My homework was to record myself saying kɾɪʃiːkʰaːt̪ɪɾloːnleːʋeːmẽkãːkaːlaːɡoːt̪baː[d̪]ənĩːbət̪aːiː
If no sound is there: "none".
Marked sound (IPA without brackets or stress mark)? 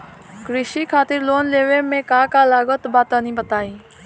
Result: t̪